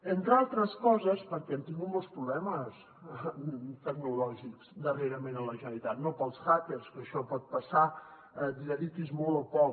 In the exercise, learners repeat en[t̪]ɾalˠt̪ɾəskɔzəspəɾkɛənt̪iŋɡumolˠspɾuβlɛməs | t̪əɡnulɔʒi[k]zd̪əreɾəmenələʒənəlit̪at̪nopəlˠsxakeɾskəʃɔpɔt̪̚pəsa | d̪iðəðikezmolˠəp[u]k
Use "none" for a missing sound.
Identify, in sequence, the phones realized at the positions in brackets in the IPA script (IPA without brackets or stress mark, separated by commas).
t̪, k, ɔ